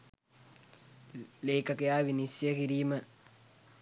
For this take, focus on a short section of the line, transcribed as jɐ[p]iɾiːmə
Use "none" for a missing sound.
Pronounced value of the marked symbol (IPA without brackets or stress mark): k